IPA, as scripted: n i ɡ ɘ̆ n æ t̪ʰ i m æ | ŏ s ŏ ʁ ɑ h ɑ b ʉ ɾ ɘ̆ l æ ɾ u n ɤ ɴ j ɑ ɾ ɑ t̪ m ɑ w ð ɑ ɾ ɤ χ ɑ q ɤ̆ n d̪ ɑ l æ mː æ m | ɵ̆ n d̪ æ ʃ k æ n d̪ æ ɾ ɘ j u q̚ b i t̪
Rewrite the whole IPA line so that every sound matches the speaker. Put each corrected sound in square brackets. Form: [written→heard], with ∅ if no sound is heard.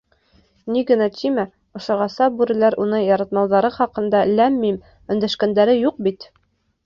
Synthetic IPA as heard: n i ɡ ɘ̆ n æ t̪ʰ i m æ | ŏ [s→ʃ] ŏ ʁ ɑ [h→s] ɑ b ʉ ɾ ɘ̆ l æ ɾ u n ɤ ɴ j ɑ ɾ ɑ t̪ m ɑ w ð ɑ ɾ ɤ χ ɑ q ɤ̆ n d̪ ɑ l æ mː [æ→i] m | ɵ̆ n d̪ æ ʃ k æ n d̪ æ ɾ ɘ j u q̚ b i t̪